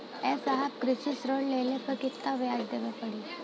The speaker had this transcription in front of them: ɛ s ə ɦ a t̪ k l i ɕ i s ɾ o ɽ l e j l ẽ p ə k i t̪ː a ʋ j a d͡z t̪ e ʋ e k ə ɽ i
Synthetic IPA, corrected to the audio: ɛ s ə ɦ a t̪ k ɾ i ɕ i s ɾ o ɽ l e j l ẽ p ə k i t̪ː a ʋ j a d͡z d̪ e ʋ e p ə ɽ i